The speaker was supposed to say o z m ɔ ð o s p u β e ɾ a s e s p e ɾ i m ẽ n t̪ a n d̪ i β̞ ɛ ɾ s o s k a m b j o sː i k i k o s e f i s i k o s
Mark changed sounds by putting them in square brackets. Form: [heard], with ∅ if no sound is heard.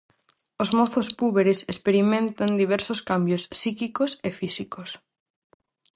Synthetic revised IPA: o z m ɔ [θ] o s p u β e ɾ [e] s e s p e ɾ i m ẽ n t̪ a n d̪ i β̞ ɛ ɾ s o s k a m b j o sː i k i k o s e f i s i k o s